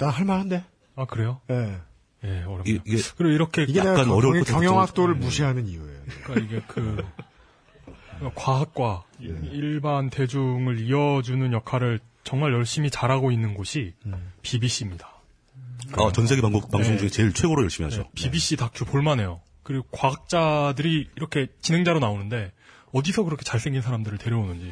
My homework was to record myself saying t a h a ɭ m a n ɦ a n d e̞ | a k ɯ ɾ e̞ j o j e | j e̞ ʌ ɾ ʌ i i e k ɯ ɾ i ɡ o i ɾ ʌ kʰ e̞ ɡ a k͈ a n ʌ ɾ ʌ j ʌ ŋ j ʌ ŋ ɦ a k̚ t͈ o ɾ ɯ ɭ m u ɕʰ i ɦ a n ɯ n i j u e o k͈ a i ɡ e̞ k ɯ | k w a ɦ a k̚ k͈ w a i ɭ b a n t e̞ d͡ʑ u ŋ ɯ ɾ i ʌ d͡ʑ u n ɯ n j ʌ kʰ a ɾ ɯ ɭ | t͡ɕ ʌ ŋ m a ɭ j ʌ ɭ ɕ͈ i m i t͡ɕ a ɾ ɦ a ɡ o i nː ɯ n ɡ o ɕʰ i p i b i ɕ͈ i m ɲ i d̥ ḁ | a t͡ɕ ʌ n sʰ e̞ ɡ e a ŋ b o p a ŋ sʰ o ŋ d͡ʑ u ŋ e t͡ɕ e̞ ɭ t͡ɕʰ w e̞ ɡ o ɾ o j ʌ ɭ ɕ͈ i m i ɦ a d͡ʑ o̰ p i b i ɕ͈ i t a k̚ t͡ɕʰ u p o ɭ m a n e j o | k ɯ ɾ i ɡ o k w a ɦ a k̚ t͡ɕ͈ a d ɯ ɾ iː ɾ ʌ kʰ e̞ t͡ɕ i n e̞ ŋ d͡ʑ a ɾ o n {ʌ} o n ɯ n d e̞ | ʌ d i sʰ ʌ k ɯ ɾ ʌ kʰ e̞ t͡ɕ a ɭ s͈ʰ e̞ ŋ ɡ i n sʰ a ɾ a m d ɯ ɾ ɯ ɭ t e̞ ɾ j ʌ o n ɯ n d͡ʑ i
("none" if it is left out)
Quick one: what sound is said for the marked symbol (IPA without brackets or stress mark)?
a